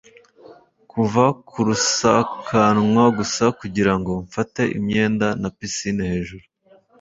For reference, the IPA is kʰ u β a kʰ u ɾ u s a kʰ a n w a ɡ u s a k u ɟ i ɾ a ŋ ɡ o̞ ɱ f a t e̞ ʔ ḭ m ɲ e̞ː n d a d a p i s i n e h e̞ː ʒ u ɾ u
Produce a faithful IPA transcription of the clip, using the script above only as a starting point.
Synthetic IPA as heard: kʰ u v a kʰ u ɾ u s a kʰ a n w a ɡ u s a k u ɟ i ɾ a ŋ ɡ o̞ ɱ f a t e̞ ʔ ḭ m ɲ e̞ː n d a n a p i s i n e h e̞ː ʒ u ɾ u